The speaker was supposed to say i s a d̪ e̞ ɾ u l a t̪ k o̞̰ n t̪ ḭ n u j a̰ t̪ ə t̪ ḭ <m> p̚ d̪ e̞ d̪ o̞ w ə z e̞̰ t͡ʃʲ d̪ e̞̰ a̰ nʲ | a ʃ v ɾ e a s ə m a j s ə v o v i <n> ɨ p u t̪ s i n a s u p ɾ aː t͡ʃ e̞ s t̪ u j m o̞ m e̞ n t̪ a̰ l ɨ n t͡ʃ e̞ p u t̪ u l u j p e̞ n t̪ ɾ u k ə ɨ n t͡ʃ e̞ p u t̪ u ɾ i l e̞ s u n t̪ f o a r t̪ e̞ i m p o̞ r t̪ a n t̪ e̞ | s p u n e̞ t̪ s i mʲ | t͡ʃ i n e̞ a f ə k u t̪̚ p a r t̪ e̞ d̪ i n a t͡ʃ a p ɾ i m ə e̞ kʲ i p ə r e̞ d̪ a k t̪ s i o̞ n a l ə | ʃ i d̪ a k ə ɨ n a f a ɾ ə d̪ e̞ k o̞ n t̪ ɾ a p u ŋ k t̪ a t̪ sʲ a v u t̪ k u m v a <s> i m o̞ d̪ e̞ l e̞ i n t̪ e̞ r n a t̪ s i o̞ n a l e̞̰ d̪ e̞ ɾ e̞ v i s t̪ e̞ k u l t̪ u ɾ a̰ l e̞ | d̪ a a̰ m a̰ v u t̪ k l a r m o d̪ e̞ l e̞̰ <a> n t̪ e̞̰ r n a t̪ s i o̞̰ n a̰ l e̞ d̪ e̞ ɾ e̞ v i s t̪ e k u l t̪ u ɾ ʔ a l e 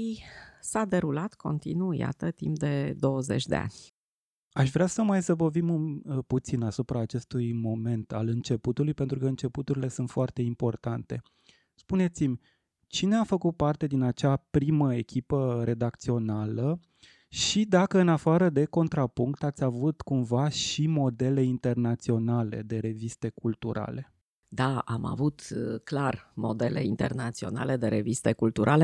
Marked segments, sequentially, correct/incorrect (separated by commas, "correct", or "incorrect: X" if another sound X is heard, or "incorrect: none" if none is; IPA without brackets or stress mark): correct, incorrect: m, incorrect: ʃ, incorrect: i